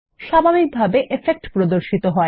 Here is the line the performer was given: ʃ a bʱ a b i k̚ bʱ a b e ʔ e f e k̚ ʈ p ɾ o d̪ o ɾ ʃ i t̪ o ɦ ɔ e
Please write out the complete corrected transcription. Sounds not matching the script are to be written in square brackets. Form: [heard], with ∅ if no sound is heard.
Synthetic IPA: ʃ a bʱ a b i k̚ bʱ a b e ʔ e f e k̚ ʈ p ɾ o d̪ o ɾ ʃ i t̪ o ɦ ɔ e